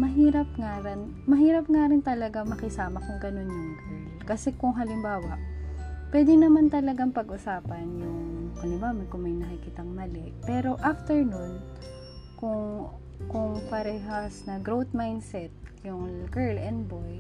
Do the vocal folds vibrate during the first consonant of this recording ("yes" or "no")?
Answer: yes